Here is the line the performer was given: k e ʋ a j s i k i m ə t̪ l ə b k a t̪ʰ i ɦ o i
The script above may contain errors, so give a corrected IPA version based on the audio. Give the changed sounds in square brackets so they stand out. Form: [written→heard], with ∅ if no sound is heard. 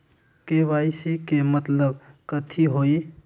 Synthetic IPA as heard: k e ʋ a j s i k [i→e] m ə t̪ l ə b k [a→ə] t̪ʰ i ɦ o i